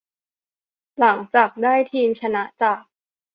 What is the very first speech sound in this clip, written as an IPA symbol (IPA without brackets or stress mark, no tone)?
l